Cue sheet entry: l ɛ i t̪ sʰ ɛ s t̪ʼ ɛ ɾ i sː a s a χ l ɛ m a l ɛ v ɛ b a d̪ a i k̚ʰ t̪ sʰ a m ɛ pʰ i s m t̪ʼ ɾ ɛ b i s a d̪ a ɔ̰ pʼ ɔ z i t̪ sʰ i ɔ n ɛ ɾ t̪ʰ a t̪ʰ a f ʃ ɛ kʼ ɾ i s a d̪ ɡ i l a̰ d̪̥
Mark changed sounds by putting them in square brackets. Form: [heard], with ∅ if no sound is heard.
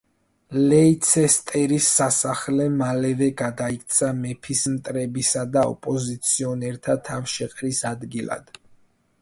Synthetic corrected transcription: l ɛ i t̪ sʰ ɛ s t̪ʼ ɛ ɾ i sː a s a χ l ɛ m a l ɛ v ɛ [ɡ] a d̪ a i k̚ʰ t̪ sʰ a m ɛ pʰ i s m t̪ʼ ɾ ɛ b i s a d̪ a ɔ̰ pʼ ɔ z i t̪ sʰ i ɔ n ɛ ɾ t̪ʰ a t̪ʰ a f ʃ ɛ [qʼ] ɾ i s a d̪ ɡ i l a̰ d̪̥